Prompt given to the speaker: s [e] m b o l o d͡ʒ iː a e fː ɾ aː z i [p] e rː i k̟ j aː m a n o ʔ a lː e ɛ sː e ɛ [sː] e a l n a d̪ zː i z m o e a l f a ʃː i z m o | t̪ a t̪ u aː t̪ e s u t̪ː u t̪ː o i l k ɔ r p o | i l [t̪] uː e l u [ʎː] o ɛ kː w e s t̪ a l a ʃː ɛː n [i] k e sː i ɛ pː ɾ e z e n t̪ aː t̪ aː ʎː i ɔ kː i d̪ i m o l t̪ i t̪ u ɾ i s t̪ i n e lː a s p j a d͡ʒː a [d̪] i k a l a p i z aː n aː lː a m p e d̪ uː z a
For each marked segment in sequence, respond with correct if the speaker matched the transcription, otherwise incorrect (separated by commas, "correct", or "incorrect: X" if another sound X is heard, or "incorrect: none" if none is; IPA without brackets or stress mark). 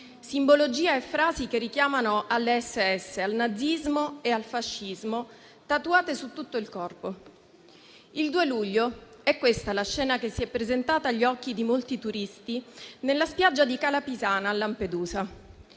incorrect: i, incorrect: k, correct, incorrect: d̪, correct, incorrect: a, correct